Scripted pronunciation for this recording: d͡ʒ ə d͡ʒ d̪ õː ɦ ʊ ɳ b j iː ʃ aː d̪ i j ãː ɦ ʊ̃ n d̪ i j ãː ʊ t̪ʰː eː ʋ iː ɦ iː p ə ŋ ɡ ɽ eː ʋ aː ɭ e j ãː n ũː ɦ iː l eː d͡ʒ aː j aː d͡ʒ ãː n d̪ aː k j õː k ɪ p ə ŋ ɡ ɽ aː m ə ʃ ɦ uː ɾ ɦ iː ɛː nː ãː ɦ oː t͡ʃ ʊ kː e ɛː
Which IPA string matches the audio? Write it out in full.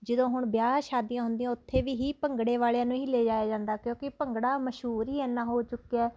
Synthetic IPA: d͡ʒ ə d̪ õː ɦ ʊ ɳ b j aː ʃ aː d̪ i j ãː ɦ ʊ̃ n d̪ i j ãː ʊ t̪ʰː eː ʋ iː ɦ iː p ə ŋ ɡ ɽ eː ʋ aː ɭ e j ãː n ũː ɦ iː l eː d͡ʒ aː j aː d͡ʒ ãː n d̪ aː k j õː k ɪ p ə ŋ ɡ ɽ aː m ə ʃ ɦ uː ɾ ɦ iː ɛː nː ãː ɦ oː t͡ʃ ʊ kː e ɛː